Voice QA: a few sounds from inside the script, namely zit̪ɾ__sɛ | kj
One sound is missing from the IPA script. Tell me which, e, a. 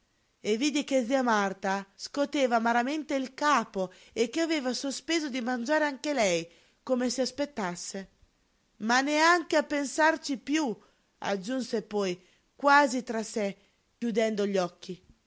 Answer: a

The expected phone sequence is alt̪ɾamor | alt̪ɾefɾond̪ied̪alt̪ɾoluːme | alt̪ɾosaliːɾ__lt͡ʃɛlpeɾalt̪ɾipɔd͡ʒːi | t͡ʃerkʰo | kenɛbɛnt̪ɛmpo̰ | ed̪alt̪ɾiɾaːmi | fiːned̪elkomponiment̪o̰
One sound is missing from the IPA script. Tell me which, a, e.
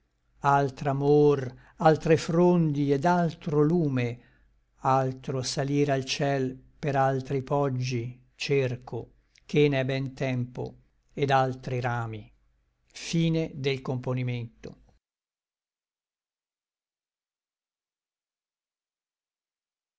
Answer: a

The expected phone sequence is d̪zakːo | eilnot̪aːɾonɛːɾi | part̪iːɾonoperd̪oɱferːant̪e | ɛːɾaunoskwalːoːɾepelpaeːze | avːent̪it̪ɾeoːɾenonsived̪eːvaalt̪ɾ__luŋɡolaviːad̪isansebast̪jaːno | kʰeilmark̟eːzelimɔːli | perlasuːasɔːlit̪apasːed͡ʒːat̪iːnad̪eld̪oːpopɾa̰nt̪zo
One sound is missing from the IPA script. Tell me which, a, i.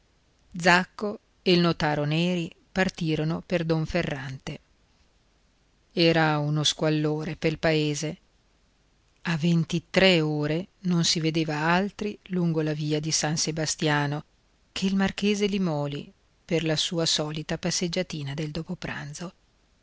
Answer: i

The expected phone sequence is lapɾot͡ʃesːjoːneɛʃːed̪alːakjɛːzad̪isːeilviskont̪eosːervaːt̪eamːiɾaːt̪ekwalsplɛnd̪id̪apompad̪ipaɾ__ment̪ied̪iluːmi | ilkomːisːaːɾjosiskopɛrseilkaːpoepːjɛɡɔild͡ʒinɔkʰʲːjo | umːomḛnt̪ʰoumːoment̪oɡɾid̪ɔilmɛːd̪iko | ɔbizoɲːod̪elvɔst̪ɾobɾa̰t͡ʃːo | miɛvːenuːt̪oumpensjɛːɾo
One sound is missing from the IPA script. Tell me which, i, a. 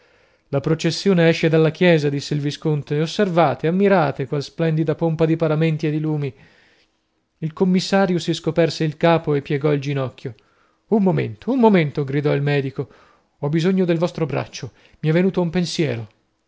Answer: a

